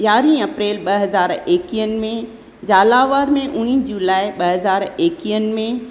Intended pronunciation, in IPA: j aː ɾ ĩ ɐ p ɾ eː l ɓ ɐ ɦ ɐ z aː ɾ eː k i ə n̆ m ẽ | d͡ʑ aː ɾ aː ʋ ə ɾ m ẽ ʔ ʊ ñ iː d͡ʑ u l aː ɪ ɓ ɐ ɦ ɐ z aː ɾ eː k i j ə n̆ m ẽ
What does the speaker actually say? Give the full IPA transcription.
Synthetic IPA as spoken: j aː ɾ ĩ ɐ p ɾ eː l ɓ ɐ ɦ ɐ z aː ɾ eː k i ə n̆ m ẽ | d͡ʑ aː l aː ʋ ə ɾ m ẽ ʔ ʊ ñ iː d͡ʑ u l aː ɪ ɓ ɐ ɦ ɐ z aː ɾ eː k i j ə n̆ m ẽ